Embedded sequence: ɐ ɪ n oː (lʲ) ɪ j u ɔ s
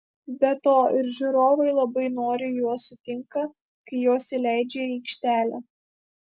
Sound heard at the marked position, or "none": ɾʲ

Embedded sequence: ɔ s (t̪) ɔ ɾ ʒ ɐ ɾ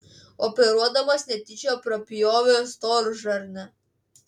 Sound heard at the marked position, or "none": t̪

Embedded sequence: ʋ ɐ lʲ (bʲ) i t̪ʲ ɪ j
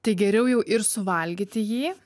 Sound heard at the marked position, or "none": ɡʲ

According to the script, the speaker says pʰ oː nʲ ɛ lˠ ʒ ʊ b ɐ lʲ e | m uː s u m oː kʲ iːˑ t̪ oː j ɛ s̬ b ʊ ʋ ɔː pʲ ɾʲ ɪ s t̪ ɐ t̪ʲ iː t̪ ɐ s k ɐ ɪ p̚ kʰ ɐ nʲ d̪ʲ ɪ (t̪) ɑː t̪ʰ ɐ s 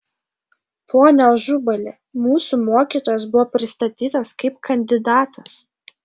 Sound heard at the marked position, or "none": d̪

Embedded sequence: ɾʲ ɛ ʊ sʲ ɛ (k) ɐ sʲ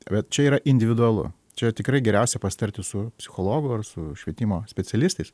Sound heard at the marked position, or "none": p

